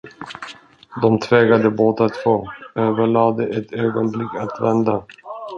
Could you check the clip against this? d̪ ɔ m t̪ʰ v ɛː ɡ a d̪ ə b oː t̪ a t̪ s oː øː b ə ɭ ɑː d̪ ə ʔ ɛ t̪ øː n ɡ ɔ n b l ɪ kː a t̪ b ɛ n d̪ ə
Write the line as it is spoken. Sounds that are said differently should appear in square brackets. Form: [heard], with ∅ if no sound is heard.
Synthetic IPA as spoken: d̪ ɔ m t̪ʰ v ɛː ɡ a d̪ ə b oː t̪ a t̪ [f] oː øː [v] ə ɭ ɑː d̪ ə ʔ ɛ t̪ øː [∅] ɡ ɔ n b l ɪ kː a t̪ [v] ɛ n d̪ [a]

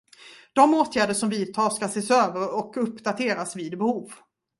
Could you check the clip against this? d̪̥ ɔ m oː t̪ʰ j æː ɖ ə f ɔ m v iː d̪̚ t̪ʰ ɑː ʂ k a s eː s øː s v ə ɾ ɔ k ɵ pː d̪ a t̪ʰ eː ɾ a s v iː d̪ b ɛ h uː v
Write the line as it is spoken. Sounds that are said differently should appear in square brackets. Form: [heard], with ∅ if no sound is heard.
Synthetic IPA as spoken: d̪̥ ɔ m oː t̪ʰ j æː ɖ ə [ʂ] ɔ m v iː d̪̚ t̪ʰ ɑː ʂ k a s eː s øː [∅] v ə ɾ ɔ k ɵ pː d̪ a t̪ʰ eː ɾ a s v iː d̪ b ɛ h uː v

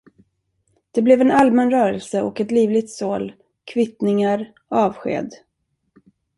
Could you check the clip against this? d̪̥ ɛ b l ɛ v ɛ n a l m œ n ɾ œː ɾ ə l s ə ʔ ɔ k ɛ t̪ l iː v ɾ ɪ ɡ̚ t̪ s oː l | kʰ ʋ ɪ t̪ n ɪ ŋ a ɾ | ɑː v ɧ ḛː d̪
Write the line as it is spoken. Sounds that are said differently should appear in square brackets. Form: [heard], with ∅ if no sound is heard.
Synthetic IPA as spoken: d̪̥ ɛ b l ɛ v ɛ n a l m [ɛ] n ɾ œː ɾ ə l s ə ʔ ɔ k ɛ t̪ l iː v [l] ɪ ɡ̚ t̪ s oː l | kʰ [v] ɪ t̪ n ɪ ŋ a ɾ | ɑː v ɧ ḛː d̪

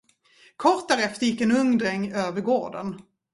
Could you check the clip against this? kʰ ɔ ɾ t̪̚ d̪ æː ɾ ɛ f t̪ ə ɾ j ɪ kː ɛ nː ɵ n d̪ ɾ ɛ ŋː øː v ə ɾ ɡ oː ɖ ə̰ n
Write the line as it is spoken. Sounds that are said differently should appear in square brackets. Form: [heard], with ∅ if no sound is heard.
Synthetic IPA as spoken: kʰ ɔ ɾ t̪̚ d̪ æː ɾ ɛ f t̪ ə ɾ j ɪ kː ɛ [n] ɵ [ŋ] d̪ ɾ ɛ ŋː øː v ə ɾ ɡ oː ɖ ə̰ n

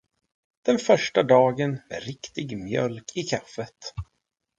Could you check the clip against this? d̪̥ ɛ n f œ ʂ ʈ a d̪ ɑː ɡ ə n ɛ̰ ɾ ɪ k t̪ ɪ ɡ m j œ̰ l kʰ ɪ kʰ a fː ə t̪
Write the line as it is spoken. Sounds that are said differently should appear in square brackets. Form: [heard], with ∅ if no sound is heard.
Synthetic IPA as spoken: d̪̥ ɛ n f œ ʂ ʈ a d̪ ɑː ɡ ə n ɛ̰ ɾ ɪ k t̪ ɪ ɡ m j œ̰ l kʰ ɪ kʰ a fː ə t̪

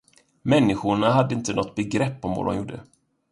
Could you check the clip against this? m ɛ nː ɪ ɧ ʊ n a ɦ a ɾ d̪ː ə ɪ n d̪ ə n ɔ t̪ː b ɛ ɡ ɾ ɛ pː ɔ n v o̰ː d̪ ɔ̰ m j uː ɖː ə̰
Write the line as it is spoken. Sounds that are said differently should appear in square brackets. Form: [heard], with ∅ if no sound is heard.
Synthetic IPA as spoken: m ɛ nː ɪ ɧ ʊ [ɳ] a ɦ a [∅] d̪ː ə ɪ n [t̪] ə n ɔ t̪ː b ɛ ɡ ɾ ɛ pː ɔ [m] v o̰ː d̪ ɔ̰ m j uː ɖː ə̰

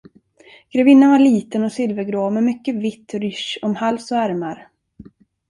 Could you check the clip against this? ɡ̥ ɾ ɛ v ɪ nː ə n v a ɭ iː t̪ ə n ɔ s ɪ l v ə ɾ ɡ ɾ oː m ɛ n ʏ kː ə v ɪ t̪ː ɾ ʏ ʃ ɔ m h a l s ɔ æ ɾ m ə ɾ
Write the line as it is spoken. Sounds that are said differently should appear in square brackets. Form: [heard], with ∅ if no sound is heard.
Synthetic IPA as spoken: ɡ̥ ɾ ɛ v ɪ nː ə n v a ɭ iː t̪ ə n ɔ s ɪ l v ə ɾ ɡ ɾ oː m ɛ [m] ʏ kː ə v ɪ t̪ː ɾ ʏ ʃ ɔ m h a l s ɔ æ ɾ m [a] ɾ

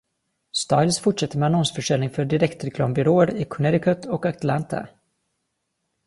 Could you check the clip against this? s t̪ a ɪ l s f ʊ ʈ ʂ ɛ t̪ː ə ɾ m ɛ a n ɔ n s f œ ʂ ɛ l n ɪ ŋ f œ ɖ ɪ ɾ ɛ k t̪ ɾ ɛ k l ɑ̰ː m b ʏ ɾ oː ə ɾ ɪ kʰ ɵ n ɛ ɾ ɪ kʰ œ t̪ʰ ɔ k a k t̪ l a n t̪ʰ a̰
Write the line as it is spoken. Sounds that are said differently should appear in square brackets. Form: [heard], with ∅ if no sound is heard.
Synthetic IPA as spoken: s t̪ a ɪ l s f ʊ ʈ ʂ ɛ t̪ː ə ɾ m ɛ a n ɔ n s f œ ʂ ɛ l n ɪ ŋ f œ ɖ ɪ ɾ ɛ k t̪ ɾ ɛ k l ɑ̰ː m b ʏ ɾ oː ə ɾ ɪ kʰ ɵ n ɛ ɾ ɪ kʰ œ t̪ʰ ɔ k a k t̪ l a n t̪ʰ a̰

